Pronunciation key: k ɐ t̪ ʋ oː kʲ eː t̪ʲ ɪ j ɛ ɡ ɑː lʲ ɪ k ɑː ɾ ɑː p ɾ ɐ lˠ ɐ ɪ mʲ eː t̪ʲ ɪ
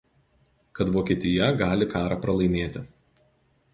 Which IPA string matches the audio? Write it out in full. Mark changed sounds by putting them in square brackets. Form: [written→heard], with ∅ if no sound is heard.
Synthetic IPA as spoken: k ɐ t̪ ʋ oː kʲ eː t̪ʲ ɪ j ɛ ɡ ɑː lʲ ɪ k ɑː ɾ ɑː p ɾ ɐ lˠ ɐ ɪ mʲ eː t̪ʲ ɪ